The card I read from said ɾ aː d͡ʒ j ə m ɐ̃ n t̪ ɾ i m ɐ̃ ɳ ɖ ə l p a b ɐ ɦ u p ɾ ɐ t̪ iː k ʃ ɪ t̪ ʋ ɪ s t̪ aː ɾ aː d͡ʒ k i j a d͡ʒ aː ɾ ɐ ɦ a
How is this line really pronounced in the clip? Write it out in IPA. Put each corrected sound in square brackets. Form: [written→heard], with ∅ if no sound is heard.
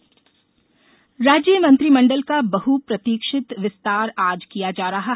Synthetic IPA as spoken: ɾ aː d͡ʒ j ə m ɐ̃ n t̪ ɾ i m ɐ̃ ɳ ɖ ə l [p→k] a b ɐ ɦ u p ɾ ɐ t̪ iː k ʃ ɪ t̪ ʋ ɪ s t̪ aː ɾ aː d͡ʒ k i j a d͡ʒ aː ɾ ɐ ɦ a